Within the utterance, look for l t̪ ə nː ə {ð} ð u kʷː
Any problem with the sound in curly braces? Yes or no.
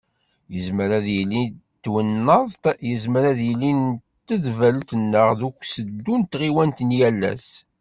yes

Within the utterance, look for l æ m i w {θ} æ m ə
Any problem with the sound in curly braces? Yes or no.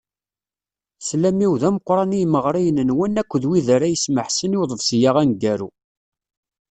yes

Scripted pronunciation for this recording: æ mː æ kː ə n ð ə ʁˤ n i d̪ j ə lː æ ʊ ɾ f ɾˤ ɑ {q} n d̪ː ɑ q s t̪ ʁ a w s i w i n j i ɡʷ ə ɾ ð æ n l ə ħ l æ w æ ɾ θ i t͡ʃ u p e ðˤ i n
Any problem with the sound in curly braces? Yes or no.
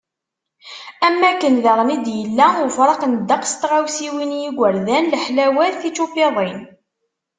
no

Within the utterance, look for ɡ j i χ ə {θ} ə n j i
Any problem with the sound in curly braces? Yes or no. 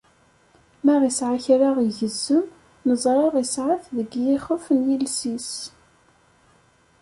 yes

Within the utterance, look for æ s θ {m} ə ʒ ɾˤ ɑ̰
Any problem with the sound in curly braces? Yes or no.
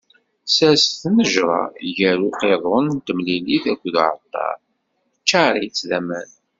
yes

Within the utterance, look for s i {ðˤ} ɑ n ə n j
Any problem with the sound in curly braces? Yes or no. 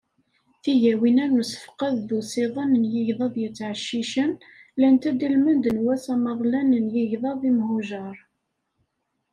no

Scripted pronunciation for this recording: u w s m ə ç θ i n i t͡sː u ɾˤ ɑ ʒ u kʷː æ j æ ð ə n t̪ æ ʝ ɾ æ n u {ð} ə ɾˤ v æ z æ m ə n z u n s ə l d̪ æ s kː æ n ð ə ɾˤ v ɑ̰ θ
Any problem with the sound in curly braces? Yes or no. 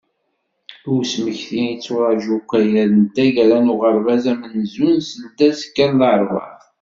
yes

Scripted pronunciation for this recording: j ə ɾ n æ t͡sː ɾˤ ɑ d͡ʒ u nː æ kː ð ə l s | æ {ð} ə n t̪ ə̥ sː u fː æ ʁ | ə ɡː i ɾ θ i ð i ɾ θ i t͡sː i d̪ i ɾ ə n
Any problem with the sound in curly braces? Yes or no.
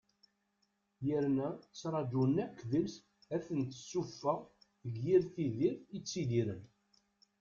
yes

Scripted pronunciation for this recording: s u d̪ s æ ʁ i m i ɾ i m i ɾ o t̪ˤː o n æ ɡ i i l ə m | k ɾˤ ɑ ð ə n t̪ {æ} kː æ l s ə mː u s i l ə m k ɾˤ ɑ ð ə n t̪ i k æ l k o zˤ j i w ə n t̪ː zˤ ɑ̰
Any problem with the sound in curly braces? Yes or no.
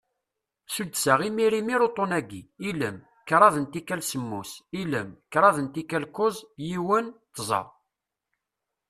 yes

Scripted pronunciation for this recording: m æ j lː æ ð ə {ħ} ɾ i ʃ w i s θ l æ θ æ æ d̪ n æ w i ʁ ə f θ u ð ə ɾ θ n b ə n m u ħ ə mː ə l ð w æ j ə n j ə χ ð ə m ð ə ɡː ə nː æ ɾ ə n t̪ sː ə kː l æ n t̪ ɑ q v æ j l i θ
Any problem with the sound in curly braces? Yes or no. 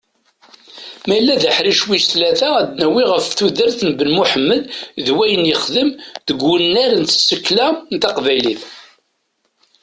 no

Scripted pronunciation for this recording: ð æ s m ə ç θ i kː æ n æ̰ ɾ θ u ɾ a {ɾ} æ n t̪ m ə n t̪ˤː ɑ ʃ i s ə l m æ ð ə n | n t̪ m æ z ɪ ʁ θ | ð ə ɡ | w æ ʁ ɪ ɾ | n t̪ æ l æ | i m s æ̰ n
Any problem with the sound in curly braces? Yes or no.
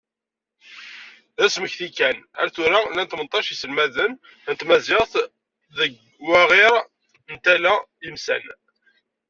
yes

